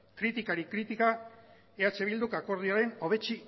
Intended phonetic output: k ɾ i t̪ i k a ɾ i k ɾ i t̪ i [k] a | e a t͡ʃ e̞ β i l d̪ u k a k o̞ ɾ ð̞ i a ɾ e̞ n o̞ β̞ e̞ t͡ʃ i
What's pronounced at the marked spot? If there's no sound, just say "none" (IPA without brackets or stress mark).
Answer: k